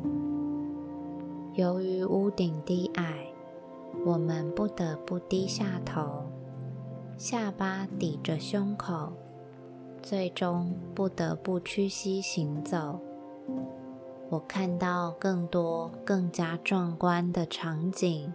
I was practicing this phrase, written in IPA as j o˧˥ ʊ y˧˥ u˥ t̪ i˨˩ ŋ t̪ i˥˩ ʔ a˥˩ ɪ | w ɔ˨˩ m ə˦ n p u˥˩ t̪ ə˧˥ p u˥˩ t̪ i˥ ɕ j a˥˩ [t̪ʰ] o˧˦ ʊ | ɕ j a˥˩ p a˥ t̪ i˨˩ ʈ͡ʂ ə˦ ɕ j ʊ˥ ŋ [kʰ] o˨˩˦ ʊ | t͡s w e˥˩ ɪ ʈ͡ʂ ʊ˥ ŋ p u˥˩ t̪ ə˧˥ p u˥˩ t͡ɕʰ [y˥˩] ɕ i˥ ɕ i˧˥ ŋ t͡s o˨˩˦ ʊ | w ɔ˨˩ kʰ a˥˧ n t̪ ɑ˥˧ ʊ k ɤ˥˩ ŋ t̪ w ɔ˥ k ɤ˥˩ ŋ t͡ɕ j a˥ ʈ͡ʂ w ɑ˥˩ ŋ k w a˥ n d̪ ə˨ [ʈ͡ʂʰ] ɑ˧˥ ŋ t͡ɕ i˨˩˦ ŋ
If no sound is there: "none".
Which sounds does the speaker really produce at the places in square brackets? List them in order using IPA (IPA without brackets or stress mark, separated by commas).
t̪ʰ, kʰ, y˥, ʈ͡ʂʰ